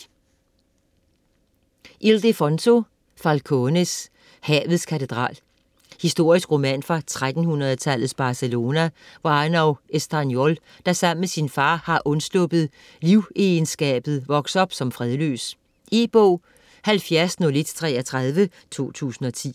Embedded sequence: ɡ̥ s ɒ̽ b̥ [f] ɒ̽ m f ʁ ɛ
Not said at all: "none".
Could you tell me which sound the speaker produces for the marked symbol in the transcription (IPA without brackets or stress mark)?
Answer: s